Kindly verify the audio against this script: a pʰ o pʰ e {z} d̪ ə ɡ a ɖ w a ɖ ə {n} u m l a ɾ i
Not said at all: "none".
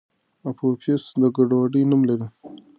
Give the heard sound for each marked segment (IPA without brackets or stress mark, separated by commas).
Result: s, n